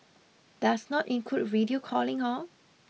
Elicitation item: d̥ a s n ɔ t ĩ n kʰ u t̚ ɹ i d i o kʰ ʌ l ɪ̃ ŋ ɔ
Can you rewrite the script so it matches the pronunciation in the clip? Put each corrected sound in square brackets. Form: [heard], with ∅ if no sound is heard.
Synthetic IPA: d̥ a s n ɔ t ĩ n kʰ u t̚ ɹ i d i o kʰ [ɔ] l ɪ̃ ŋ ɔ